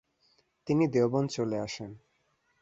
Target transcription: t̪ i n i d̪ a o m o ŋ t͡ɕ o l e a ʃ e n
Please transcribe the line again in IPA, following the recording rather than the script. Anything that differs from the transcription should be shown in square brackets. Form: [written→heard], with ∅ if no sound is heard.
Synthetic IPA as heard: t̪ i n i d̪ [a→e] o [m→b] o [ŋ→n] t͡ɕ o l e a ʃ e n